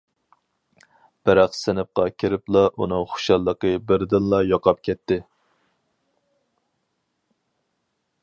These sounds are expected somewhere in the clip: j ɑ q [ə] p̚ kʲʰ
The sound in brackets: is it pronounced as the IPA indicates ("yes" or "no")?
no